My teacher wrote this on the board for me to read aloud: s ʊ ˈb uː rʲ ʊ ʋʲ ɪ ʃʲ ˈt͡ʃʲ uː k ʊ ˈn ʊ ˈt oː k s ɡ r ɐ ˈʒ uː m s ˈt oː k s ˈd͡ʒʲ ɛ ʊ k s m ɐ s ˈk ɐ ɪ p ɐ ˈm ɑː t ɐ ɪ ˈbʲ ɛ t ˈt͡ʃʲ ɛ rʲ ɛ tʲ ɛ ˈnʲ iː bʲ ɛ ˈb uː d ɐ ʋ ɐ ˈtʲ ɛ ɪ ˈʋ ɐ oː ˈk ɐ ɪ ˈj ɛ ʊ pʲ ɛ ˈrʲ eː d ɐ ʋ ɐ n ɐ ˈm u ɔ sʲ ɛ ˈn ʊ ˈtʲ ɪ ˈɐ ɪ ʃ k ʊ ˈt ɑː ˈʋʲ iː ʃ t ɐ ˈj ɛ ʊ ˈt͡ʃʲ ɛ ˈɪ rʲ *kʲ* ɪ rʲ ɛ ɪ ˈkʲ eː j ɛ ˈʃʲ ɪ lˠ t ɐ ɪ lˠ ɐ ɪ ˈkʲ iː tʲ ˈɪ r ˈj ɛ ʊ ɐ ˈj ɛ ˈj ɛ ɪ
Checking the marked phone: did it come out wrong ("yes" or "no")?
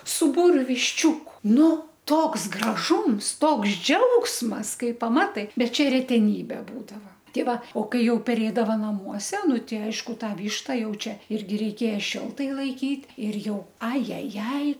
yes